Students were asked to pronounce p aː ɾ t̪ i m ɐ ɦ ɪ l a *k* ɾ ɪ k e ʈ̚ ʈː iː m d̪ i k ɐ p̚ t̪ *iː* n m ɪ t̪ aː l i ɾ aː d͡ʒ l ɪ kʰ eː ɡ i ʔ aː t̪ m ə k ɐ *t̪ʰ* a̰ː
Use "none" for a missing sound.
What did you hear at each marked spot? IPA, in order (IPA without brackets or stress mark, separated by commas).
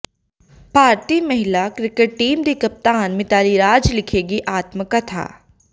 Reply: k, aː, t̪ʰ